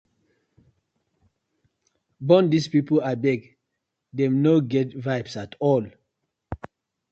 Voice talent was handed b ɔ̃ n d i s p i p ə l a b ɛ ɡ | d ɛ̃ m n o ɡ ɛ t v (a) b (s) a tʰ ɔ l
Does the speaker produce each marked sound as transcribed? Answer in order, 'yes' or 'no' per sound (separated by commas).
yes, yes